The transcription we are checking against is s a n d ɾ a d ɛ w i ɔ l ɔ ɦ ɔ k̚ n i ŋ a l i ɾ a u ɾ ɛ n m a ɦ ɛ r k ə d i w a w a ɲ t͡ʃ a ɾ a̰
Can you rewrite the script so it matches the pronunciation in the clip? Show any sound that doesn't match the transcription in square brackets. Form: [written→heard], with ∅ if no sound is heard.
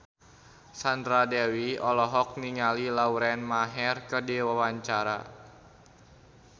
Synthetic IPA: s a n d ɾ a d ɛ w i ɔ l ɔ ɦ ɔ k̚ n i ŋ a l i [ɾ→l] a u ɾ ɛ n m a ɦ ɛ r k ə d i w a w a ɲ t͡ʃ a ɾ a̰